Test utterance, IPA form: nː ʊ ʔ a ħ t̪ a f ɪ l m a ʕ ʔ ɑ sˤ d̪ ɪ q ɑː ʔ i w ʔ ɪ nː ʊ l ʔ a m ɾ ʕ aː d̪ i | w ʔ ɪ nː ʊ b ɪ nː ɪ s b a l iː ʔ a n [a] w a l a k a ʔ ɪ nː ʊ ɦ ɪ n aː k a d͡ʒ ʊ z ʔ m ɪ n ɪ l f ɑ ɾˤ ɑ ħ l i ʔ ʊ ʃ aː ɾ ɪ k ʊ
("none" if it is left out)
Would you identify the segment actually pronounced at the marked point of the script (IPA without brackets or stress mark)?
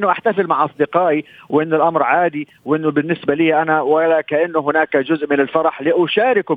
a